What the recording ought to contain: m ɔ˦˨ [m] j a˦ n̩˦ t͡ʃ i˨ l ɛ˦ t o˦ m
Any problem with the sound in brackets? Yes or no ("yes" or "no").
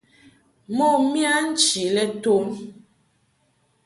no